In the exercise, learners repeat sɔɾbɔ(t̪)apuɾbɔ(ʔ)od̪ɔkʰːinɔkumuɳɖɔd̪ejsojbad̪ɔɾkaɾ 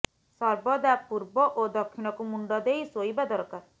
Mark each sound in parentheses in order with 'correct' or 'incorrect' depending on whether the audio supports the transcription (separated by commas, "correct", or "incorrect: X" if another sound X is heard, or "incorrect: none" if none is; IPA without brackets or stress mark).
incorrect: d̪, correct